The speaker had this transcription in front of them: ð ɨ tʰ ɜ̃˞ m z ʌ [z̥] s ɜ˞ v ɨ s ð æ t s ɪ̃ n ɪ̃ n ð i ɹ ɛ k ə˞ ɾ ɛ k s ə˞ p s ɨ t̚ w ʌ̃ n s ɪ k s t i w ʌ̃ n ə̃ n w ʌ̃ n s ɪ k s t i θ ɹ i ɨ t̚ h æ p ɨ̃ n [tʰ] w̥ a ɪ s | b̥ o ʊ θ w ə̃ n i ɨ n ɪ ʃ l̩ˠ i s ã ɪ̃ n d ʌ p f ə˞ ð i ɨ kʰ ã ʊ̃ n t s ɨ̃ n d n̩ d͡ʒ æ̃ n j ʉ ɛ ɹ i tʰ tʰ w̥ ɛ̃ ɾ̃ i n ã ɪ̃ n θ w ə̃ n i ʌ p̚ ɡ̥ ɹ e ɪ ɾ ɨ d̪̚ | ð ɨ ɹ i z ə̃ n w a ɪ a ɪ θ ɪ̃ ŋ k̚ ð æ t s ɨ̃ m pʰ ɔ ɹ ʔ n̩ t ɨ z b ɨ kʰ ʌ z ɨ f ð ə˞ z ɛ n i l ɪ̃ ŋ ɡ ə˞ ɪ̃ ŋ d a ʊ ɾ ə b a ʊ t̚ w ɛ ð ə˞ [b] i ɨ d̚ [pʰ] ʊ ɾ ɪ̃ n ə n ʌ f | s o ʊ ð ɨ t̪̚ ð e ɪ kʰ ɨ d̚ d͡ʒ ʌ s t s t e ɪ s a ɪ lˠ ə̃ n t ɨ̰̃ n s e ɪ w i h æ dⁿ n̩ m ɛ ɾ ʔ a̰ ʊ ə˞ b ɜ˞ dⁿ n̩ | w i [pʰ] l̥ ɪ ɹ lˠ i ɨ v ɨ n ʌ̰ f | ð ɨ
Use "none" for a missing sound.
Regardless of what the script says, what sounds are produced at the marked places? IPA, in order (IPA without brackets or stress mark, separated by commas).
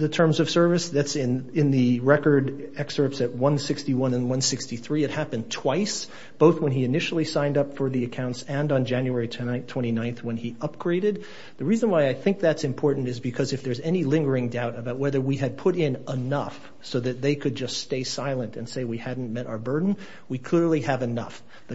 v̥, tʰ, w, pʰ, kʰ